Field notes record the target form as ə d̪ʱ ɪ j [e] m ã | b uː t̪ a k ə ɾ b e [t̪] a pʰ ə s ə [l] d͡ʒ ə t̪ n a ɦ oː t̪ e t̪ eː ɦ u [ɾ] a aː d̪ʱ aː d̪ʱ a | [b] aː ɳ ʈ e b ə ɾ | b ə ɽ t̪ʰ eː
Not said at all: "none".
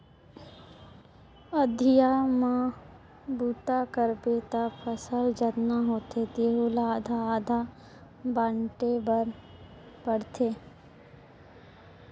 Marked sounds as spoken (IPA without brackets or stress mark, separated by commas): a, t̪, l, l, b